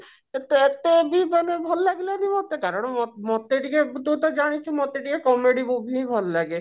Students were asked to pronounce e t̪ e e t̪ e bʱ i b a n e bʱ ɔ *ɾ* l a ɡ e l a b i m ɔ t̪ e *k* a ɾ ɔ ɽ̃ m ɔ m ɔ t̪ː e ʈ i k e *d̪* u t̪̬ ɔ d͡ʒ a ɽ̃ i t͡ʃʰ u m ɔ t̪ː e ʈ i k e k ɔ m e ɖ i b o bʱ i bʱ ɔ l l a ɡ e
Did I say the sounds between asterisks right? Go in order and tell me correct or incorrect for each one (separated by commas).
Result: incorrect, correct, incorrect